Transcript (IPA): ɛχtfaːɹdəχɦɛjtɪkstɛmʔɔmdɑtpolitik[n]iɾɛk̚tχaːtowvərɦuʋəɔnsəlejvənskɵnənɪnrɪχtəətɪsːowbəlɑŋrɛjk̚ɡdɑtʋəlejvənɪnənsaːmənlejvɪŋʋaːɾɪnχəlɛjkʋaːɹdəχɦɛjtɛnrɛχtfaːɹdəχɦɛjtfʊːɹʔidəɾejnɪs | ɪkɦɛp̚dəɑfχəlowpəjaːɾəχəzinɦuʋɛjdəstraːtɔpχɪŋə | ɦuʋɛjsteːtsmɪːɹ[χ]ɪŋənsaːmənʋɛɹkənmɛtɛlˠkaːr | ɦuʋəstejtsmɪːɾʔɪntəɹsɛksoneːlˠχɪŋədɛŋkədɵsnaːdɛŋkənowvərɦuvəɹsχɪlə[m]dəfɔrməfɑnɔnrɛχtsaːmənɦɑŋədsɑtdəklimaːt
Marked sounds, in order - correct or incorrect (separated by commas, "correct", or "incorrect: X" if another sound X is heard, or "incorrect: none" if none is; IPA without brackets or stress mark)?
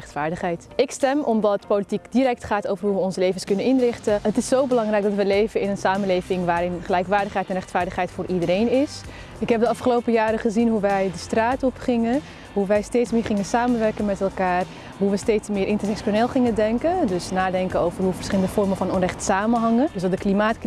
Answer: incorrect: d, correct, incorrect: n